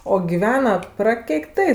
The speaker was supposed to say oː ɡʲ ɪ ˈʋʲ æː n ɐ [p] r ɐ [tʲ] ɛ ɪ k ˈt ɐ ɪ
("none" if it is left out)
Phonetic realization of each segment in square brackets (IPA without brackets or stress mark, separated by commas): p, kʲ